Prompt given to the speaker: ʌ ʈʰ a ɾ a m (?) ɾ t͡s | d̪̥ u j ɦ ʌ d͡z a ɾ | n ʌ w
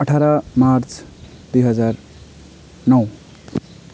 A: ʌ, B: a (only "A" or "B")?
B